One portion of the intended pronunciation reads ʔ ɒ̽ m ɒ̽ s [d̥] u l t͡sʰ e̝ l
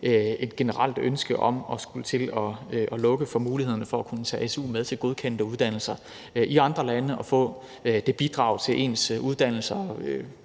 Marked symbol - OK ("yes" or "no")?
no